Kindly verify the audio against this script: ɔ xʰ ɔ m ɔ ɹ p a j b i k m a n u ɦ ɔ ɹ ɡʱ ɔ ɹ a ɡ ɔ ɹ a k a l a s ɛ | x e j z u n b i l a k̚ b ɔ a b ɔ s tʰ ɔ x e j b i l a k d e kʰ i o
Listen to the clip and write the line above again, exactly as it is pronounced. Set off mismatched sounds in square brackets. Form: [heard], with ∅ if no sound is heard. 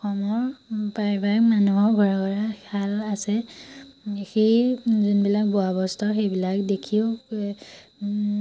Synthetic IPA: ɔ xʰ ɔ m ɔ ɹ p a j b [a] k m a n u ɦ ɔ ɹ ɡʱ ɔ ɹ a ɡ ɔ ɹ a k a l a s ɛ | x e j z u n b i l a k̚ b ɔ a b ɔ s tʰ ɔ x e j b i l a k d e kʰ i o